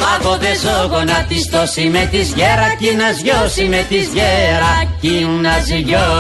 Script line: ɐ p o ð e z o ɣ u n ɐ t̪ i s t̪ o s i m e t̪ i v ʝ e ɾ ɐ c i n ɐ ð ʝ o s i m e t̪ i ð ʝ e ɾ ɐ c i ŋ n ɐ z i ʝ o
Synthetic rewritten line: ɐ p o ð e z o ɣ o n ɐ t̪ i s t̪ o s i m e t̪ i z ʝ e ɾ ɐ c i n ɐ z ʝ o s i m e t̪ i z ʝ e ɾ ɐ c i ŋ n ɐ z i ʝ o